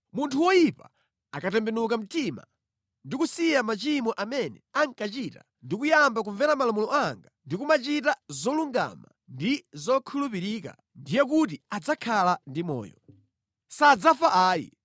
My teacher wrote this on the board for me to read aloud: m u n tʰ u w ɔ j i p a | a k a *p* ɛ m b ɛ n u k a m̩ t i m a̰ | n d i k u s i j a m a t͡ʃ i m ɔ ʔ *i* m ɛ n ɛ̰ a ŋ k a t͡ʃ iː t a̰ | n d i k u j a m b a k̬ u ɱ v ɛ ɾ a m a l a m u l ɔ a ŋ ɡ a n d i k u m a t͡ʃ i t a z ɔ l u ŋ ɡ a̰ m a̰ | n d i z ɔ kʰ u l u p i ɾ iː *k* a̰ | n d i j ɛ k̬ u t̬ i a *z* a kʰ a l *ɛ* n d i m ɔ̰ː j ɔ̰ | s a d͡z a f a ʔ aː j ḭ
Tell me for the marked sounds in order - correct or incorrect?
incorrect: t, incorrect: a, correct, incorrect: d͡z, incorrect: a

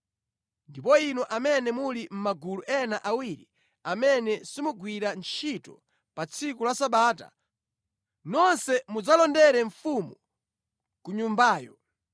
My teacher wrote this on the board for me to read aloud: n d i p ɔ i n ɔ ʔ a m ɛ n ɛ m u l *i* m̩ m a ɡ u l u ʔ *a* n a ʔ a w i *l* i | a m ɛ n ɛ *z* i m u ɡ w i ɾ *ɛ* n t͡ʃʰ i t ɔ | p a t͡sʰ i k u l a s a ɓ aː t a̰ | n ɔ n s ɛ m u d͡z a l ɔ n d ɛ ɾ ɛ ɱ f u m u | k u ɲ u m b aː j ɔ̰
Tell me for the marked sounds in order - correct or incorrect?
correct, incorrect: ɛ, incorrect: ɾ, incorrect: s, incorrect: a

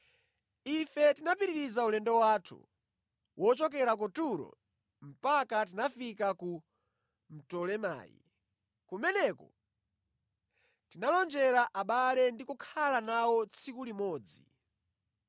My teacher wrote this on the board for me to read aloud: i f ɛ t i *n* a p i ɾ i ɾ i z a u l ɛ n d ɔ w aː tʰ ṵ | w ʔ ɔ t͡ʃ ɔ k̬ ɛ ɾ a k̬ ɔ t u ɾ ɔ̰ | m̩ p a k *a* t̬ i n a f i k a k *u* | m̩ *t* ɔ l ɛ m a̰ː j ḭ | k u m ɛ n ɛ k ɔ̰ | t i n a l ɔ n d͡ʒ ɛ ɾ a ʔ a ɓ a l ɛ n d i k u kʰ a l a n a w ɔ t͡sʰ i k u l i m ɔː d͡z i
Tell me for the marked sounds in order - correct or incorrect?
correct, correct, correct, correct

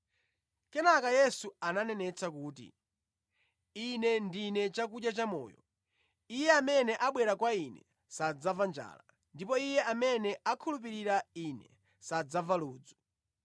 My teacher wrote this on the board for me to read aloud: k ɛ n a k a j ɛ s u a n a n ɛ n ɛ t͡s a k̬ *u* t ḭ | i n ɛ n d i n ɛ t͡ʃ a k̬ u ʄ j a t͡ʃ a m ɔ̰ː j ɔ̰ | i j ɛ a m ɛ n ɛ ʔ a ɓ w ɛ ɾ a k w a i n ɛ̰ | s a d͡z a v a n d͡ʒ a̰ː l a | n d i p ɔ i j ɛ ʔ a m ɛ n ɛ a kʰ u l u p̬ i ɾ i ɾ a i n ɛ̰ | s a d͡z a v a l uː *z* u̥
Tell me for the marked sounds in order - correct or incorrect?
incorrect: uː, incorrect: d͡z

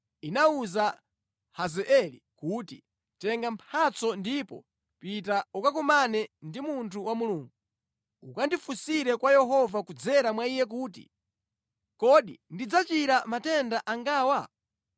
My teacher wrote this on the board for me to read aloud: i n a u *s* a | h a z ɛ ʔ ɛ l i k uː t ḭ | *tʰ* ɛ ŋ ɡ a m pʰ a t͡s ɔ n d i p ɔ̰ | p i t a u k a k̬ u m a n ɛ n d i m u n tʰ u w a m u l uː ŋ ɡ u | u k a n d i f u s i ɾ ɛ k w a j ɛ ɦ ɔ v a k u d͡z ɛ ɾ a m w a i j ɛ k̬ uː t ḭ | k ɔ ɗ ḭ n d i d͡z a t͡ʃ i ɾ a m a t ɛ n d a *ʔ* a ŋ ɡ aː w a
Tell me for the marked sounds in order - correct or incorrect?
incorrect: z, incorrect: t, correct

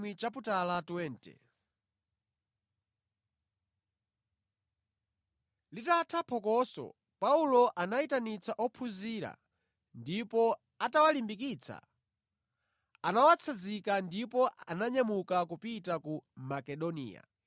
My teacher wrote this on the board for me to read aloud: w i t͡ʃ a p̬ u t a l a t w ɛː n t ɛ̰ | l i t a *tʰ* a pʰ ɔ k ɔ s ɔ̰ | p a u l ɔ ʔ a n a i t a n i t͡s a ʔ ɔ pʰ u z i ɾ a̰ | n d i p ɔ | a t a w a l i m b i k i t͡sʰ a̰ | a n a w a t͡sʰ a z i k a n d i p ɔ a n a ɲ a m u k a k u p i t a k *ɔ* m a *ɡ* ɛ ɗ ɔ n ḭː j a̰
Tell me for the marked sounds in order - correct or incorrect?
correct, incorrect: u, incorrect: k

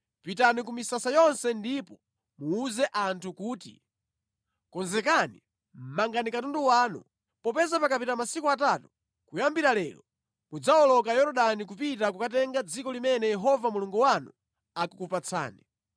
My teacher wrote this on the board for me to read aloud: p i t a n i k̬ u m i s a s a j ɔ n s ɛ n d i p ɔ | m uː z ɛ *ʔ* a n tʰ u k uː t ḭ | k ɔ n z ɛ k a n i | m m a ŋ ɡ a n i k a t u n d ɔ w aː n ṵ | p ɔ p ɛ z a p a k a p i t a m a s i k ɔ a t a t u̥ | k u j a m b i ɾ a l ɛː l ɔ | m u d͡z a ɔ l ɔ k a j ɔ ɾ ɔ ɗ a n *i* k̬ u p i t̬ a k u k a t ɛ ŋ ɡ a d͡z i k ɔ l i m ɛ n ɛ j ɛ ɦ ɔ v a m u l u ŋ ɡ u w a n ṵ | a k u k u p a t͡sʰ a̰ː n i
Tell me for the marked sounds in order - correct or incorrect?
correct, correct

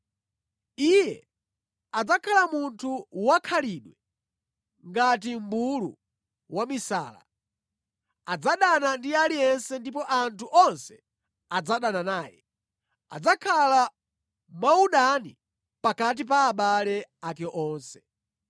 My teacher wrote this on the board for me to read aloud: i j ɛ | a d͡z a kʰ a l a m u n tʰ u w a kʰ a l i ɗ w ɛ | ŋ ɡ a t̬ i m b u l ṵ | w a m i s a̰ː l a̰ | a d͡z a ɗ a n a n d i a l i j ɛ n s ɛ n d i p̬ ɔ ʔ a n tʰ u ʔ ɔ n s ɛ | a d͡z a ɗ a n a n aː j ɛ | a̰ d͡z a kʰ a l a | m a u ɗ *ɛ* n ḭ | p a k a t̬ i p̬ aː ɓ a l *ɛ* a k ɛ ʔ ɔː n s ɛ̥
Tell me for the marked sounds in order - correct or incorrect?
incorrect: a, correct

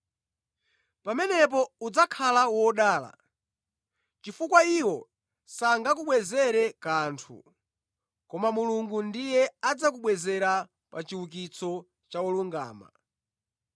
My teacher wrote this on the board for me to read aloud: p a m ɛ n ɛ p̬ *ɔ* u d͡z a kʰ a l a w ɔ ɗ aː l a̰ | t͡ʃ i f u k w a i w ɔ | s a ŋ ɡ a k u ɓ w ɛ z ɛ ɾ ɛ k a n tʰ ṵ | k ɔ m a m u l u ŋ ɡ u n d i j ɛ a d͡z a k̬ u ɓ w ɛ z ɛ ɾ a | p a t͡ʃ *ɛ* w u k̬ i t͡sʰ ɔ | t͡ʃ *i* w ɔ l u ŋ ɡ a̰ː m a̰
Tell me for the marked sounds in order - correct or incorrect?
correct, incorrect: i, incorrect: a

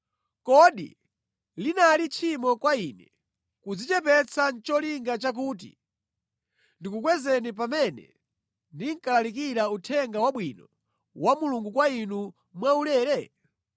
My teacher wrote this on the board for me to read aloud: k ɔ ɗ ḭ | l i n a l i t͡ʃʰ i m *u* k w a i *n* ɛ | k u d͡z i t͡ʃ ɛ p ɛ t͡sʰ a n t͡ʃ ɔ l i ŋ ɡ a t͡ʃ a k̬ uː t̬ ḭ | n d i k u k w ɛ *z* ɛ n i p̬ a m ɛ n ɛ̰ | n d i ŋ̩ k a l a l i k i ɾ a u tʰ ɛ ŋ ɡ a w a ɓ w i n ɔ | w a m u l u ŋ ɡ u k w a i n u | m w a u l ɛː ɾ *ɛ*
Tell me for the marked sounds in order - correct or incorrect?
incorrect: ɔ, correct, correct, correct

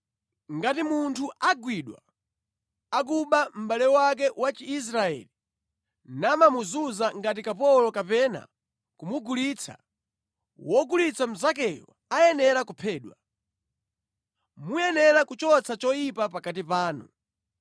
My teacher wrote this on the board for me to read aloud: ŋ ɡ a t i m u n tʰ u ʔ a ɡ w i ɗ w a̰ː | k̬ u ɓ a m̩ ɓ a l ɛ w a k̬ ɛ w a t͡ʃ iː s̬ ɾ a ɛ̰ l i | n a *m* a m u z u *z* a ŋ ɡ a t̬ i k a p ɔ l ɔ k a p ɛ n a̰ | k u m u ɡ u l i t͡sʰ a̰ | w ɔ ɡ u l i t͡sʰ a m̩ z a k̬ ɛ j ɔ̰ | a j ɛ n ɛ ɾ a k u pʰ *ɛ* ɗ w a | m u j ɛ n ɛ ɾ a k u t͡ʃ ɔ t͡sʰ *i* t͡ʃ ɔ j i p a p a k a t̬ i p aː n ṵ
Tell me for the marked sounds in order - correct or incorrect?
correct, correct, incorrect: ɛː, incorrect: a

